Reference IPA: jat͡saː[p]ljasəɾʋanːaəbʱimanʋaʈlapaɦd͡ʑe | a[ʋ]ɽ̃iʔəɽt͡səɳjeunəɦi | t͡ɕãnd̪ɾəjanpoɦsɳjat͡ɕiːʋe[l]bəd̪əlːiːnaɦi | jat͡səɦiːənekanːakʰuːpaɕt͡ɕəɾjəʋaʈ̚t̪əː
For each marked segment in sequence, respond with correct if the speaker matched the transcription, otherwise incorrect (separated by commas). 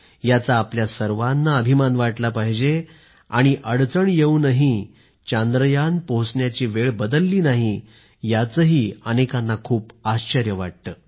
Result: correct, incorrect, incorrect